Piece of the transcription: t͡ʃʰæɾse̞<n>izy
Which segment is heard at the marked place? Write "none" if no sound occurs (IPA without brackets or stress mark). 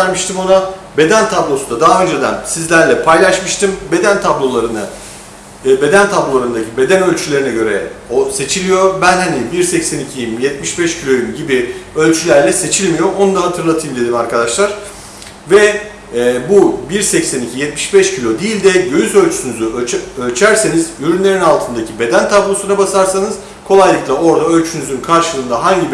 n